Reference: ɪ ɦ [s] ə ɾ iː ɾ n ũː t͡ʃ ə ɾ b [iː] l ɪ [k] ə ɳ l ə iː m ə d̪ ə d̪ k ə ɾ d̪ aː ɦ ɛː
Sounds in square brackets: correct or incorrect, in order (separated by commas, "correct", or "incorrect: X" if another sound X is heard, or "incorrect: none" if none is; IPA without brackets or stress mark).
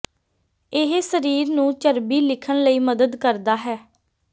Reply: correct, correct, incorrect: kʰ